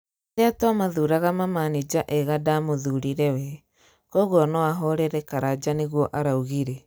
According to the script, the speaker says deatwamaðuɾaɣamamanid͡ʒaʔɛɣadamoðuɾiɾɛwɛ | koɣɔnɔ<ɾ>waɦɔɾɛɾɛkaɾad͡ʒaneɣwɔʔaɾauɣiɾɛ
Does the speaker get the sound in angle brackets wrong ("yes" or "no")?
yes